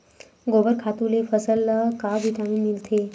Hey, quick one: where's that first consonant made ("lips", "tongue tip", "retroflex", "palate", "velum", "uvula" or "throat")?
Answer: velum